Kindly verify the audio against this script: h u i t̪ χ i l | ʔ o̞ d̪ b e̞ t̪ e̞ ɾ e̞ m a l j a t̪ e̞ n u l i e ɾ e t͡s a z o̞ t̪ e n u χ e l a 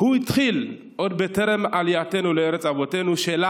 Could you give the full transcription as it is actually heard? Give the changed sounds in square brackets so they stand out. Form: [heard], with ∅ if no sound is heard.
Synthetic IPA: h u i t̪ χ i l | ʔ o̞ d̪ b e̞ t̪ e̞ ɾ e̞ m a l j a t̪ e̞ n u l [e] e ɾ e t͡s a [v] o̞ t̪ e n u [ʃ] e l a